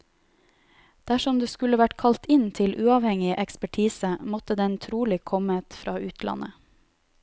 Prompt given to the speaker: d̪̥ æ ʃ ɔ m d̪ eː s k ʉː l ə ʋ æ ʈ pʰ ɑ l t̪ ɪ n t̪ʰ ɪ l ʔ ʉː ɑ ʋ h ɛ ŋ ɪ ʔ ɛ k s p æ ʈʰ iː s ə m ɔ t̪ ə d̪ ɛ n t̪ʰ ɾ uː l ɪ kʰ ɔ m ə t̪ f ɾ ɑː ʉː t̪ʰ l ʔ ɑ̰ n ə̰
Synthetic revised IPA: d̪̥ æ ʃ ɔ m d̪ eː s k ʉ l ə ʋ æ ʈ kʰ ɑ l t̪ ɪ n t̪ʰ ɪ l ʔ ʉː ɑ ʋ h ɛ ŋ ɪ ʔ ɛ k s p æ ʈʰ iː s ə m ɔ t̪ ə d̪ ɛ n t̪ʰ ɾ uː l ɪ kʰ ɔ m ə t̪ f ɾ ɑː ʉː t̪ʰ l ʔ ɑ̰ n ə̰